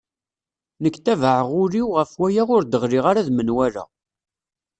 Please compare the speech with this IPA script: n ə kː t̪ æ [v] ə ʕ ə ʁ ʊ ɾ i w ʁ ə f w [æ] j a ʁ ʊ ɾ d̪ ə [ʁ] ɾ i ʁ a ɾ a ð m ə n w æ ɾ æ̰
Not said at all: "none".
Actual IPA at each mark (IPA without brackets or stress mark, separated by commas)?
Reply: v, æ, ʁ